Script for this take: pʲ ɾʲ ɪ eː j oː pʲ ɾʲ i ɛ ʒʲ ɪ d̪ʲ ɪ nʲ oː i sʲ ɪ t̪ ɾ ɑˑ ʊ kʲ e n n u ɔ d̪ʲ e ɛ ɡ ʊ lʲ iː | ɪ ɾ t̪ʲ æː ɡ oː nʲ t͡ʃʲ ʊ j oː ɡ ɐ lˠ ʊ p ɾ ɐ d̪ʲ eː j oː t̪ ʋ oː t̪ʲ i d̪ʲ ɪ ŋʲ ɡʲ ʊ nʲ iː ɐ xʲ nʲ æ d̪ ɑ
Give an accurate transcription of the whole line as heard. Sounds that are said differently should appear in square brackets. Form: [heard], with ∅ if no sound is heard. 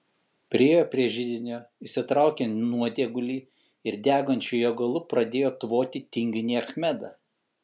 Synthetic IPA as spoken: pʲ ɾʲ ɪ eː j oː pʲ ɾʲ i ɛ ʒʲ ɪ d̪ʲ ɪ nʲ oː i sʲ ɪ t̪ ɾ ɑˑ ʊ kʲ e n n u ɔ d̪ʲ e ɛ ɡ ʊ lʲ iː | ɪ ɾ [d̪ʲ] æː ɡ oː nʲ t͡ʃʲ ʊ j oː ɡ ɐ lˠ ʊ p ɾ ɐ d̪ʲ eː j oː t̪ ʋ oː t̪ʲ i [t̪ʲ] ɪ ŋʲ ɡʲ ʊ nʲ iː ɐ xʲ [mʲ] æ d̪ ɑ